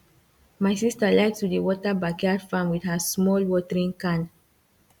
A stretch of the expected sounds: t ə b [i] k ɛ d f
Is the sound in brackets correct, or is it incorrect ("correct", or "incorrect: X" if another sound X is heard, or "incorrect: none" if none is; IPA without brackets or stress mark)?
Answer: incorrect: a